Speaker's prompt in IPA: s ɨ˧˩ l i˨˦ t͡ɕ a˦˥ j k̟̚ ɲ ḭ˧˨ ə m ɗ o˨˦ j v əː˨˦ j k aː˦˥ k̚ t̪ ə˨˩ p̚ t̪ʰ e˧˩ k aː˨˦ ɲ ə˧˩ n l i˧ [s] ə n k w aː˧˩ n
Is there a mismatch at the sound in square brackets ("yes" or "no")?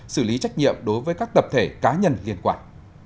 yes